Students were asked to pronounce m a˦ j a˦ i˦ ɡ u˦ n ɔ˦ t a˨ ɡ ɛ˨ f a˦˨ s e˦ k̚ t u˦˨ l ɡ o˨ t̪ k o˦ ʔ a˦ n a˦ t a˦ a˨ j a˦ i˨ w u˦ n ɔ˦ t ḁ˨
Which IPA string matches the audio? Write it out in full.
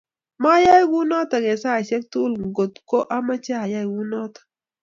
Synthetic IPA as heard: m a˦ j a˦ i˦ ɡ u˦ n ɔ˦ t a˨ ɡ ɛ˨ s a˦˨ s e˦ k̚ t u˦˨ l ɡ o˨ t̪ k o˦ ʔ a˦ m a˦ t͡ʃ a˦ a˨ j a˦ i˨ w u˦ n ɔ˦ t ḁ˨